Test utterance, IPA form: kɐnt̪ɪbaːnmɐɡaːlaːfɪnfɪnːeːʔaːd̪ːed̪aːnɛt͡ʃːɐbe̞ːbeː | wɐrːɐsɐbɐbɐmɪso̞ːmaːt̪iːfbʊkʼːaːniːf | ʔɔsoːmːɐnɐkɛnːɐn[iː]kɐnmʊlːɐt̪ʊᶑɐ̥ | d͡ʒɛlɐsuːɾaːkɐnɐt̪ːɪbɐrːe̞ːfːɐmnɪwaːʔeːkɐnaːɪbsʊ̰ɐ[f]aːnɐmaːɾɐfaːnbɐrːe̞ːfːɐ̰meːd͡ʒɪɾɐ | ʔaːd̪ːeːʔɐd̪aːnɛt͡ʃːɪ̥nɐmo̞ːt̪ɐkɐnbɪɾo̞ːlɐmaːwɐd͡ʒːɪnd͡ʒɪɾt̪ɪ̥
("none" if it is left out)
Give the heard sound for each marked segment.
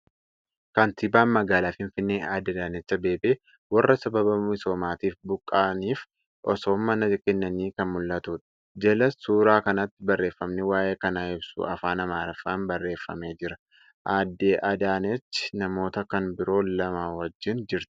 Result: iː, f

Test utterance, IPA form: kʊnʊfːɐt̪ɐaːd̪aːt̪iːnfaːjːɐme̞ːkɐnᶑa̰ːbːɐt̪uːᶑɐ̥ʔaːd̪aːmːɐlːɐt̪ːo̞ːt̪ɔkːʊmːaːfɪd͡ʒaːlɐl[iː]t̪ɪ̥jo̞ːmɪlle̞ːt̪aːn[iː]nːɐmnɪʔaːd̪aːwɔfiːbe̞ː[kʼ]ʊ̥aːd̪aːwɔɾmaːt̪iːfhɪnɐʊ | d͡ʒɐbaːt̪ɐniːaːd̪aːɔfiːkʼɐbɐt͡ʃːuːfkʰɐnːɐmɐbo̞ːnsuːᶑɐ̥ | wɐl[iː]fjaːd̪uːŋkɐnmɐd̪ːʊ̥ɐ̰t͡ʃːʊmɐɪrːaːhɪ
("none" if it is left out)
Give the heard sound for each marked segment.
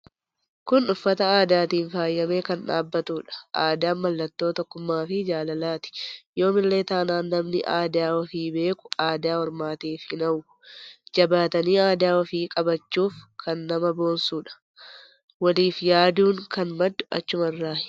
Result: aː, aː, k, iː

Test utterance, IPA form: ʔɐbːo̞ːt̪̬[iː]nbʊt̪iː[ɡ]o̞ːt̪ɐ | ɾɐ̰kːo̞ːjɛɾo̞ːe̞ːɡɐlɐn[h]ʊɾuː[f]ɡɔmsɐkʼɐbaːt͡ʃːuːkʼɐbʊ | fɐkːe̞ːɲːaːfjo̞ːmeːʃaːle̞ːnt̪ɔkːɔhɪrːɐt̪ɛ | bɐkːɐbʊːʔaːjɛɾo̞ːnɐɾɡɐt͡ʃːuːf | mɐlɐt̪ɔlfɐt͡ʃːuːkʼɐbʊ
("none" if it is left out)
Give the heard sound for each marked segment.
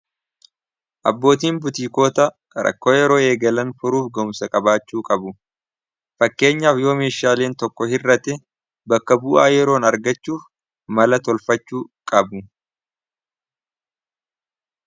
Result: iː, k, f, f

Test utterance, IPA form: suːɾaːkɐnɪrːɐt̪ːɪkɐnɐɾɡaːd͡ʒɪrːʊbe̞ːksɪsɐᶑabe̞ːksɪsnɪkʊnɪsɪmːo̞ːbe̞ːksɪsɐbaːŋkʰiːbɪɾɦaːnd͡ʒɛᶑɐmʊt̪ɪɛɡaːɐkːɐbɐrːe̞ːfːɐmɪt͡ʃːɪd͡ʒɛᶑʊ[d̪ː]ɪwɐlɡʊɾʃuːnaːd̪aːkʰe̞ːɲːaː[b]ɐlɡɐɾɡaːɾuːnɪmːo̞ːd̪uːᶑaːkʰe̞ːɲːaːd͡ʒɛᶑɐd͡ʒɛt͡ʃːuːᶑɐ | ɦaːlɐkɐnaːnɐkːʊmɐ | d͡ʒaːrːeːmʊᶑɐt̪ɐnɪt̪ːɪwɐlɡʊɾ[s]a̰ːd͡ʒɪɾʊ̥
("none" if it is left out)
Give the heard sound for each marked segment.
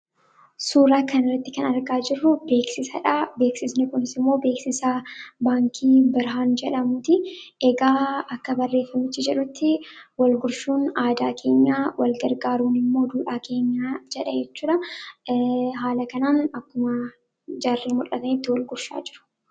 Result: t̪ː, w, ʃ

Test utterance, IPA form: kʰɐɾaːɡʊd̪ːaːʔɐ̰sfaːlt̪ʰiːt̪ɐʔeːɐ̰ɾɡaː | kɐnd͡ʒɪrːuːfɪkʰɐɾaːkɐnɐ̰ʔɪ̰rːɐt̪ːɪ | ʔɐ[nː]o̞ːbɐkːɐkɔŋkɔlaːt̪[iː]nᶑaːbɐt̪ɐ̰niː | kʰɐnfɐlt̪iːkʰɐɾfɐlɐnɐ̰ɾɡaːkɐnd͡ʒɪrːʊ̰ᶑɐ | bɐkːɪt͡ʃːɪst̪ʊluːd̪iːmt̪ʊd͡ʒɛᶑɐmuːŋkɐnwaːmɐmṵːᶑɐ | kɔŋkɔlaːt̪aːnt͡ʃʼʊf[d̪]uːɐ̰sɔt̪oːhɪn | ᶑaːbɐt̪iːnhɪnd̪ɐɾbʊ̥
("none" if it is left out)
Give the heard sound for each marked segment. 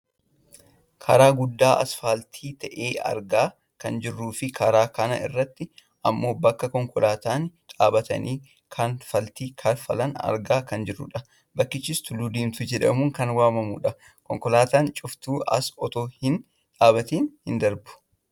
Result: mː, aː, t̪

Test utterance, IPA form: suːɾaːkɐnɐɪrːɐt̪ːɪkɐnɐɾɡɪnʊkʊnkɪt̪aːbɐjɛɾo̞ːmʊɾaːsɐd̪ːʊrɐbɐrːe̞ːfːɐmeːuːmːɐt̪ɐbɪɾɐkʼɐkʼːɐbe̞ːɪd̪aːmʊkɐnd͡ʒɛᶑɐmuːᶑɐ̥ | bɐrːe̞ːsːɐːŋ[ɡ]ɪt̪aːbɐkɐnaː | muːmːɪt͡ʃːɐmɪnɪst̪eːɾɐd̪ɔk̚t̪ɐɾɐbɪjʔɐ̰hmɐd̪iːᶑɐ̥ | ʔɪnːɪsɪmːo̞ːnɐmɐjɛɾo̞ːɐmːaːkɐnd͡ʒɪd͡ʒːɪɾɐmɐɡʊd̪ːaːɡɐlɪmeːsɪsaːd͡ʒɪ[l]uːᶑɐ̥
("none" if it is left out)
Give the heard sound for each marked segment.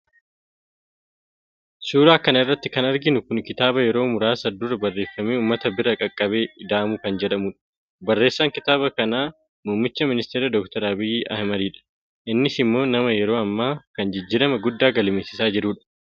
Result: k, ɾ

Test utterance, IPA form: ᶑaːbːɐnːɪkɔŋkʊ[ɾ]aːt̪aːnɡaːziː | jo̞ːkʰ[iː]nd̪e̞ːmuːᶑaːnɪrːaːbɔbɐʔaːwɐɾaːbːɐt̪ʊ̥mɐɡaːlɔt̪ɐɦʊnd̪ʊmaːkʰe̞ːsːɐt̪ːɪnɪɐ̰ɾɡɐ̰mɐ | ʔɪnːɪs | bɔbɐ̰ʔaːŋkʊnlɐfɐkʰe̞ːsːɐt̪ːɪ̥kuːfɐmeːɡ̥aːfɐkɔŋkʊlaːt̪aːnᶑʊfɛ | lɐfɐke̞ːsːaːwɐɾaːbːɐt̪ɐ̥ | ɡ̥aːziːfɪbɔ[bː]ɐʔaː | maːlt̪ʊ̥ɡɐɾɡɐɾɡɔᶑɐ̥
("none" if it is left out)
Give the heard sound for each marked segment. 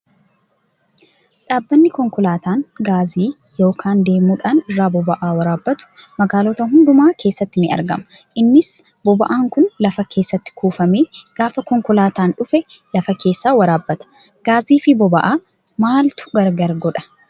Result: l, aː, b

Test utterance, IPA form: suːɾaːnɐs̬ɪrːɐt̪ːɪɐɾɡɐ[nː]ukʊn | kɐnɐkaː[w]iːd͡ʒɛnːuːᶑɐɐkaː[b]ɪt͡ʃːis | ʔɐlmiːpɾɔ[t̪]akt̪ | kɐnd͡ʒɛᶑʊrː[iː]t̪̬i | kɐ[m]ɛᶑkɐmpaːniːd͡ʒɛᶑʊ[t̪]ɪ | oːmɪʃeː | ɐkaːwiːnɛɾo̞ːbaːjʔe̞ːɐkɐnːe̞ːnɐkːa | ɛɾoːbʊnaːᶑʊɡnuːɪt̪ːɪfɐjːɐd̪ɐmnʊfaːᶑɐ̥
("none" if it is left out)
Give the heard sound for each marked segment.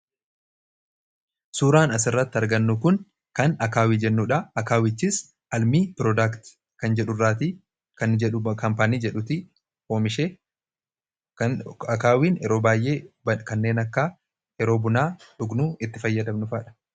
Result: nː, w, w, d̪, aː, n, t̪

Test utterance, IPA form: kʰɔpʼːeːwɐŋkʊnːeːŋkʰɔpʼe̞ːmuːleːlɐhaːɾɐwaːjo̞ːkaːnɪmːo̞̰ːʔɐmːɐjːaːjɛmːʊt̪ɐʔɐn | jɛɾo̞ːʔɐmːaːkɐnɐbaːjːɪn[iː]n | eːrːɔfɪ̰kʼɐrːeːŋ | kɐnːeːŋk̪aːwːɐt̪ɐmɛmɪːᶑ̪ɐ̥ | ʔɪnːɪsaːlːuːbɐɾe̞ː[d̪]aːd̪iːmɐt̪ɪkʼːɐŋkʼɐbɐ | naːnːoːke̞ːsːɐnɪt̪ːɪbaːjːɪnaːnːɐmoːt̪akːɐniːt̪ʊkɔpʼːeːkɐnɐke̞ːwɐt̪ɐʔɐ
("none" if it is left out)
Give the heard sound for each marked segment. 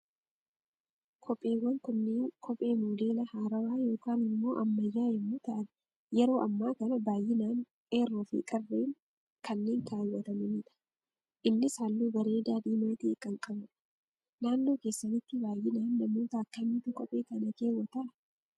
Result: aː, d̪

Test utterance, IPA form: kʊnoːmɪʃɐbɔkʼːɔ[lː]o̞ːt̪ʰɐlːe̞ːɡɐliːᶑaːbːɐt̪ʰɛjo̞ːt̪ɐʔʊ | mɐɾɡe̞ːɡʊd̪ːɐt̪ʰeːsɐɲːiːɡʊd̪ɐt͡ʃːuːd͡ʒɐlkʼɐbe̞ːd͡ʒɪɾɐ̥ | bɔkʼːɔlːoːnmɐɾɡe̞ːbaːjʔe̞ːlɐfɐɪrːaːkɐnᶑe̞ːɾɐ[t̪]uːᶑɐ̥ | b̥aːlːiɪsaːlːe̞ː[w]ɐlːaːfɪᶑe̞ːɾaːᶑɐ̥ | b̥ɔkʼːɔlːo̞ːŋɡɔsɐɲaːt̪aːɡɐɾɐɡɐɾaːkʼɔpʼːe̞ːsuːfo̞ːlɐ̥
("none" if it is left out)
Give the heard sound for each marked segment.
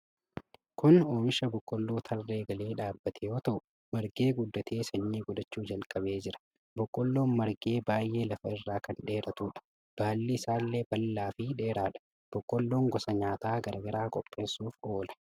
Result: lː, t̪, b

